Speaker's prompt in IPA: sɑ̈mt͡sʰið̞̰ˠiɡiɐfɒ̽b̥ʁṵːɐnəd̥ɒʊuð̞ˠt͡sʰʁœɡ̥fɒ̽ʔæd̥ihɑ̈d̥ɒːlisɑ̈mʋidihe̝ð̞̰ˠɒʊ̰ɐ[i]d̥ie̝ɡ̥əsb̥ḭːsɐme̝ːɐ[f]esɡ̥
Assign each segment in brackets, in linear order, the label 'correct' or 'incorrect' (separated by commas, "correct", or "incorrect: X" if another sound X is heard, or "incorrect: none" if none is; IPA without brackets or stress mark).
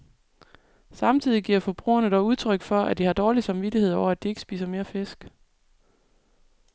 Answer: incorrect: æ, correct